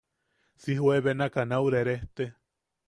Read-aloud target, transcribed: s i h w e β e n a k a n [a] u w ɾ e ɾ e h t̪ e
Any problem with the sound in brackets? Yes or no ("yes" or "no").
no